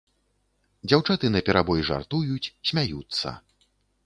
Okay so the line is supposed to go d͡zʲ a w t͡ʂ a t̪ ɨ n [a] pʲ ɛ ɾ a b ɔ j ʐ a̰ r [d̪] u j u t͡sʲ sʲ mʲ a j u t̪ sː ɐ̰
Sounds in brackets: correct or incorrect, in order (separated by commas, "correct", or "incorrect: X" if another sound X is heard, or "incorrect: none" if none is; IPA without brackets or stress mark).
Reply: incorrect: ɐ, incorrect: t̪